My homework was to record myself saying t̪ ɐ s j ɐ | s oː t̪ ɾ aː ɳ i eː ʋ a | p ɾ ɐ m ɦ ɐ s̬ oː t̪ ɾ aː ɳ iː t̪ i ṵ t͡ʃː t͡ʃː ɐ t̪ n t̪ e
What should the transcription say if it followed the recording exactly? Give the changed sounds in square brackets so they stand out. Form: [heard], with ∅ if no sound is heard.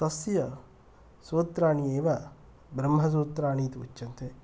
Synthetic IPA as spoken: t̪ ɐ s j ɐ | s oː t̪ ɾ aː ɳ i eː ʋ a | [b] ɾ ɐ m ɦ ɐ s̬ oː t̪ ɾ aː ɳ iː t̪ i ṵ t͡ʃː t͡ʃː ɐ [∅] n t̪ e